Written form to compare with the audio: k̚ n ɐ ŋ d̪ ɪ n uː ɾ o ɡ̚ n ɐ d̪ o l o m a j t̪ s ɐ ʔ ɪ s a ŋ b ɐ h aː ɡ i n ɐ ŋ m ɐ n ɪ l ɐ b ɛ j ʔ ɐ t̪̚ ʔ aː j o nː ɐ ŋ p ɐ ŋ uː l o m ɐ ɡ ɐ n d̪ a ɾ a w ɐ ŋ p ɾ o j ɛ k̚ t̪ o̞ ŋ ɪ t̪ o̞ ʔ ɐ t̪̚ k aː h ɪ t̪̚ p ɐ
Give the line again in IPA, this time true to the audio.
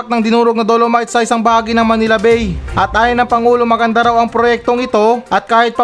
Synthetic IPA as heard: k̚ n ɐ ŋ d̪ ɪ n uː ɾ o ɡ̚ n ɐ d̪ o l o m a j t̪ s ɐ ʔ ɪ s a ŋ b ɐ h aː ɡ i n ɐ ŋ m ɐ n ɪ l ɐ b ɛ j ʔ ɐ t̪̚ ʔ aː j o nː ɐ ŋ p ɐ ŋ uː l o m ɐ ɡ ɐ n d̪ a ɾ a w ɐ ŋ p ɾ o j ɛ k̚ t̪ o̞ ŋ ɪ t̪ o̞ ʔ ɐ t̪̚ k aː h ɪ t̪̚ p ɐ